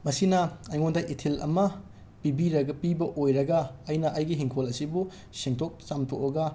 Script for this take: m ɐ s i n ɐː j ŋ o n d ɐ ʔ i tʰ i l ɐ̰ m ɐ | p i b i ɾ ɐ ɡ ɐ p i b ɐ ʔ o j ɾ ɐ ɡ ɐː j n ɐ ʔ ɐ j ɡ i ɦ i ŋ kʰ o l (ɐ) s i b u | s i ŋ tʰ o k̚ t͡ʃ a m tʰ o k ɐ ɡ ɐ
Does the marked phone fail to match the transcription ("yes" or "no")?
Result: no